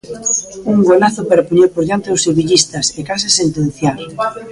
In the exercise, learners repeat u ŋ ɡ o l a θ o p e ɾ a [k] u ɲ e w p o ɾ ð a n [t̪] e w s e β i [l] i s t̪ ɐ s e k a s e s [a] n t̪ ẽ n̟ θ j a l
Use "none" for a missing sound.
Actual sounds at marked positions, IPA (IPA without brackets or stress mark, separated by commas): p, t̪, ʎ, e